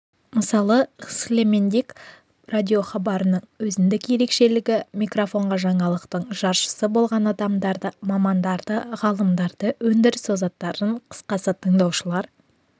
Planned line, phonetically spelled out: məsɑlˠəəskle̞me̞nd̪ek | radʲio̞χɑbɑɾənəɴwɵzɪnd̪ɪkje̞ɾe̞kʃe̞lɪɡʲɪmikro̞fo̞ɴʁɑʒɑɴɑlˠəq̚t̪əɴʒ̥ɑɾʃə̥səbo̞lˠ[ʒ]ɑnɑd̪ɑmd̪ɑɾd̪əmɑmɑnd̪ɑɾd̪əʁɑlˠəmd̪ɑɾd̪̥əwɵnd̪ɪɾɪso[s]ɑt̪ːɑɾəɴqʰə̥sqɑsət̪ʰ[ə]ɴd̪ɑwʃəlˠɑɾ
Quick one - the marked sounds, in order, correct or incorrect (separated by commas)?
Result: incorrect, incorrect, correct